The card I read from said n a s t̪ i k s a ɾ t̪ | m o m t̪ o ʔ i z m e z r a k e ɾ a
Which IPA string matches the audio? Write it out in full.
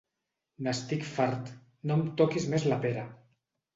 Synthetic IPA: n a s t̪ i k f a ɾ t̪ | n o m t̪ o k i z m e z l a p e ɾ a